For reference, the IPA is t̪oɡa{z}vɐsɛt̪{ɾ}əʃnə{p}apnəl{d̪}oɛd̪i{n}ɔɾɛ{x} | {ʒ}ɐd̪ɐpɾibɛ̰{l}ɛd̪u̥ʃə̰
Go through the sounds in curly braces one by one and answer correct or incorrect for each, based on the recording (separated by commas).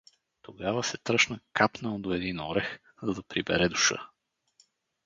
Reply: incorrect, correct, incorrect, correct, correct, correct, incorrect, incorrect